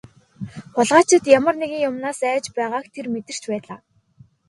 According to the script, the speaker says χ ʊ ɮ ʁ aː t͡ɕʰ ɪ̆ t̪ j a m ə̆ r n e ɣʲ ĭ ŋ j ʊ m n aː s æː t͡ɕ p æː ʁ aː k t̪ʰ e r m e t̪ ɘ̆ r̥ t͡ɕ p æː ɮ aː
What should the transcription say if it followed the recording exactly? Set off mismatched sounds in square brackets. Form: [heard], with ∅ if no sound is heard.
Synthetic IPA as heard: χ ʊ ɮ ʁ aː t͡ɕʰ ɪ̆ t̪ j a m ə̆ r n e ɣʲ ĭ ŋ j ʊ m n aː s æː t͡ɕ p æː ʁ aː k t̪ʰ e r m e t̪ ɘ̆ r̥ t͡ɕ p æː ɮ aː